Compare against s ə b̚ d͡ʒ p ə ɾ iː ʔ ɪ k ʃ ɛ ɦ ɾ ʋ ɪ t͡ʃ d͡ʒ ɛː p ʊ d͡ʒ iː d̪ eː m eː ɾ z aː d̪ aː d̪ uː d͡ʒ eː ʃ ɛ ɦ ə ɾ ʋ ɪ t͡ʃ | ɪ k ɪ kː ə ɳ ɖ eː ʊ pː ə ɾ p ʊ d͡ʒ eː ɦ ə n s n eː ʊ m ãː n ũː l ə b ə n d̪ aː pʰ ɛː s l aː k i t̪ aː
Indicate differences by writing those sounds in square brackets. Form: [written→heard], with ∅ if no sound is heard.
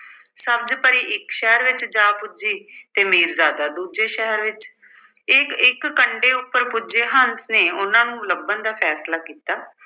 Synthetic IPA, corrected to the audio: s ə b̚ d͡ʒ p ə ɾ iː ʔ ɪ k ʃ ɛ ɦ ɾ ʋ ɪ t͡ʃ d͡ʒ [ɛː→aː] p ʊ d͡ʒ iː [d̪→t̪] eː m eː ɾ z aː d̪ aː d̪ uː d͡ʒ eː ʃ ɛ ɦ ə ɾ ʋ ɪ t͡ʃ | ɪ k ɪ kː ə ɳ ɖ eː ʊ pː ə ɾ p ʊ d͡ʒ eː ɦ ə n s n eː ʊ [m→n] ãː n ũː l ə b ə n d̪ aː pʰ ɛː s l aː k [i→iː] t̪ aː